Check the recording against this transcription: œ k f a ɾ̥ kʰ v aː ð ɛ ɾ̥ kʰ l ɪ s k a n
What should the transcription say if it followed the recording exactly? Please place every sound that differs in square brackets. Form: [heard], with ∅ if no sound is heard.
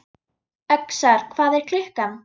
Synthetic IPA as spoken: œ k [s] a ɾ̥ kʰ v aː ð ɛ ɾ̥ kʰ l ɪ [h] k a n